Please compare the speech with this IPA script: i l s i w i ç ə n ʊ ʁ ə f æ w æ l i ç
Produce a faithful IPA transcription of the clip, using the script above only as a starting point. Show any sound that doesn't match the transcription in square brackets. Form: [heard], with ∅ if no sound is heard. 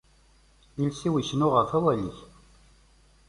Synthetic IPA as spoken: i l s i w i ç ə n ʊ ʁ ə f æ w æ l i ç